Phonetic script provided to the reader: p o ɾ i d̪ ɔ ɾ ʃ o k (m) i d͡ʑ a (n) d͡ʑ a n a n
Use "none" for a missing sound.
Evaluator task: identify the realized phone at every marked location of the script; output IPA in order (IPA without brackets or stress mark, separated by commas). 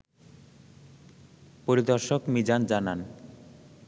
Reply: m, n